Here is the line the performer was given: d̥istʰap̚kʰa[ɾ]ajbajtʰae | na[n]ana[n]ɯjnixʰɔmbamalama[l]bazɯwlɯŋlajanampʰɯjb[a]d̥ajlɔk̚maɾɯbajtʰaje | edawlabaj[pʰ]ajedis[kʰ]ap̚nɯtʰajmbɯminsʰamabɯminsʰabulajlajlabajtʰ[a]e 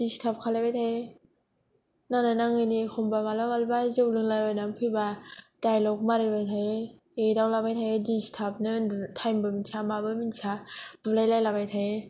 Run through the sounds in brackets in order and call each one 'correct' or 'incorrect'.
incorrect: l, correct, incorrect: ŋ, correct, correct, incorrect: tʰ, incorrect: tʰ, correct

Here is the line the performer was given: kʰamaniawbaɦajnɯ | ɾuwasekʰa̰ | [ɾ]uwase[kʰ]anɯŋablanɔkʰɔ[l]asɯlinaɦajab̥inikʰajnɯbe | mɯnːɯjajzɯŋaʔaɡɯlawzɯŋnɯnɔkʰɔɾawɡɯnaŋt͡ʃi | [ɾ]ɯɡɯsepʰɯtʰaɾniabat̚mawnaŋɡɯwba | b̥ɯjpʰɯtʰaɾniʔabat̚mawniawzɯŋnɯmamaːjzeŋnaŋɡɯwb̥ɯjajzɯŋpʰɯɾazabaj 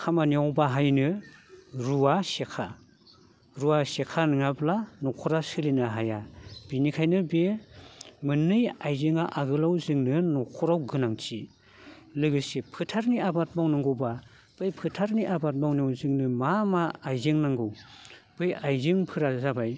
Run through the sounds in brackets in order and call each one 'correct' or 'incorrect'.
correct, correct, incorrect: ɾ, incorrect: l

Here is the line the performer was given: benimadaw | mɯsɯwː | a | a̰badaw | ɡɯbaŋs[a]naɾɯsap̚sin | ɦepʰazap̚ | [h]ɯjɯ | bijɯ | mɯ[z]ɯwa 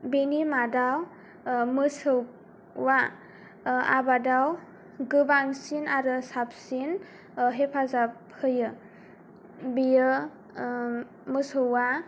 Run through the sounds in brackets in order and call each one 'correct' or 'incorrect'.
incorrect: i, correct, incorrect: s

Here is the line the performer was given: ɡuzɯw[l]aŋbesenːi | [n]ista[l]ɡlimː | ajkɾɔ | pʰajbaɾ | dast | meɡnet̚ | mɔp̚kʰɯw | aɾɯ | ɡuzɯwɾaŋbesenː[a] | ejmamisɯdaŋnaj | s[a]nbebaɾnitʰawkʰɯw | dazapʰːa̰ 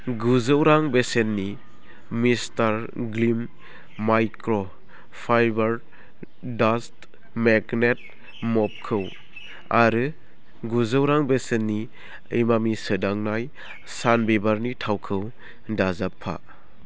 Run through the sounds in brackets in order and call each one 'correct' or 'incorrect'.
incorrect: ɾ, incorrect: m, incorrect: ɾ, incorrect: i, correct

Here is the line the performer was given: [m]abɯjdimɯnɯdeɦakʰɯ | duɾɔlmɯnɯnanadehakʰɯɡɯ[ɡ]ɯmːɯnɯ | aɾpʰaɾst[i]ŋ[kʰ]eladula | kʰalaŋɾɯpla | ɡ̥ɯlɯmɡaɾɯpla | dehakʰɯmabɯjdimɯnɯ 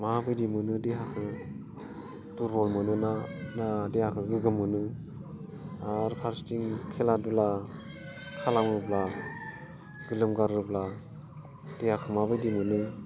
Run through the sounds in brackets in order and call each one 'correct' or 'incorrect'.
correct, correct, correct, correct

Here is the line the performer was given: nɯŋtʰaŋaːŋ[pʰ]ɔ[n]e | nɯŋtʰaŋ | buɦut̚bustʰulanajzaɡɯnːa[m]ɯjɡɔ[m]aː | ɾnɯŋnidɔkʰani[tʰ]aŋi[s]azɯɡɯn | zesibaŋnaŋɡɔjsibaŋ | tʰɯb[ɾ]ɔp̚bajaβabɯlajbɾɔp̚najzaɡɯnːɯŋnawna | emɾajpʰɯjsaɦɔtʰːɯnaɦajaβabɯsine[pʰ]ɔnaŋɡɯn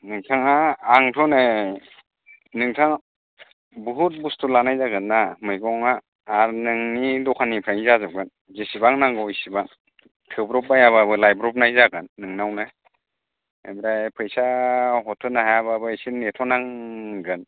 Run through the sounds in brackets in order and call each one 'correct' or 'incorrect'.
incorrect: tʰ, correct, correct, incorrect: ŋ, incorrect: pʰ, incorrect: z, correct, incorrect: tʰ

